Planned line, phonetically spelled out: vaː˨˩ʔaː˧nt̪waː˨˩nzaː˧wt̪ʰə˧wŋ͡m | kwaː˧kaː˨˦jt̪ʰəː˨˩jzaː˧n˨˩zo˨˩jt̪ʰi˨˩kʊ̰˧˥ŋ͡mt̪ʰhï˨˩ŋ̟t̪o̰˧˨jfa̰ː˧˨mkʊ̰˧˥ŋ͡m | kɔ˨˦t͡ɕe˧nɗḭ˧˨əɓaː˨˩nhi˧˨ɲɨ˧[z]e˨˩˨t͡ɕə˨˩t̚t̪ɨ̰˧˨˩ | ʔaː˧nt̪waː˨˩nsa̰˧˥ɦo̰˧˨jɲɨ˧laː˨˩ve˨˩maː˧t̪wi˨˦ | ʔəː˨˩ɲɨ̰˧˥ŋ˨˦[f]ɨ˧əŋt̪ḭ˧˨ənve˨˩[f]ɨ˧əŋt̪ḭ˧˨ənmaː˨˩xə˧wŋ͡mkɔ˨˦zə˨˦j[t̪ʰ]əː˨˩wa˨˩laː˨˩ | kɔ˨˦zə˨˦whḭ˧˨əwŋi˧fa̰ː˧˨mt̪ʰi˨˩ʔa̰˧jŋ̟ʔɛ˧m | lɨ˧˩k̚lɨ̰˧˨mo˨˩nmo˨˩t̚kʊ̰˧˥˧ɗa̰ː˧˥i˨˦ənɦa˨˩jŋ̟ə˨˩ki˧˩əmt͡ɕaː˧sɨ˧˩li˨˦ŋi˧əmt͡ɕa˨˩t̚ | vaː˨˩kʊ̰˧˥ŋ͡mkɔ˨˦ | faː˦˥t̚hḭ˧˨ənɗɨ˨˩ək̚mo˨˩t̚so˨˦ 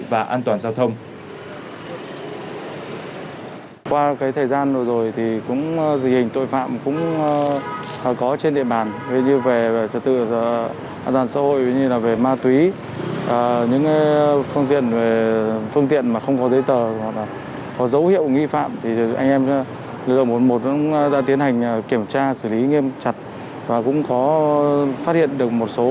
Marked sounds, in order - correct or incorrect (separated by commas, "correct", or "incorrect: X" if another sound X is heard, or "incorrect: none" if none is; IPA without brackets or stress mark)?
incorrect: v, correct, correct, incorrect: t̪